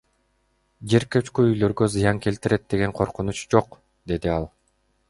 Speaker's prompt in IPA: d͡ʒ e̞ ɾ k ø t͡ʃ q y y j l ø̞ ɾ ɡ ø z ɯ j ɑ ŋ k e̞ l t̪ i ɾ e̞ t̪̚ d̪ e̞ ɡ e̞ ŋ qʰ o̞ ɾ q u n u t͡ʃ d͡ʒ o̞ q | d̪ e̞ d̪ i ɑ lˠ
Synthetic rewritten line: d͡ʒ e̞ ɾ k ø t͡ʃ k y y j l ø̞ ɾ ɡ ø z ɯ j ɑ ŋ k e̞ l t̪ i ɾ e̞ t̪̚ d̪ e̞ ɡ e̞ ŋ qʰ o̞ ɾ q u n u t͡ʃ d͡ʒ o̞ q | d̪ e̞ d̪ i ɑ lˠ